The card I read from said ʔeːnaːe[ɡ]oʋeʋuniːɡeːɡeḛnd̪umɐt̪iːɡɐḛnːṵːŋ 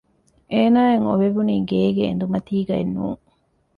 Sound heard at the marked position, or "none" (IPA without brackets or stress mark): ŋ